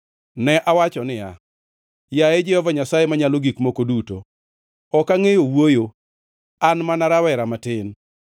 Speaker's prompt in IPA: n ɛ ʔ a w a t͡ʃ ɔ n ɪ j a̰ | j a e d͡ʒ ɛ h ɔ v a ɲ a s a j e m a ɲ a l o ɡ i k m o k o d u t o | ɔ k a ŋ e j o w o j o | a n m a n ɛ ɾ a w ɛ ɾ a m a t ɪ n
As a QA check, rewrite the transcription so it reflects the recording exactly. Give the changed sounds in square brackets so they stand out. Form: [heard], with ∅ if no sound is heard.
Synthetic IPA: n ɛ ʔ a w a t͡ʃ ɔ n ɪ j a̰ | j a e d͡ʒ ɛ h ɔ v a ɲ a s a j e m a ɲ a l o ɡ i k m o k o d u t o | ɔ k a ŋ e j o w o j o | a n m a n [a] ɾ a w ɛ ɾ a m a t ɪ n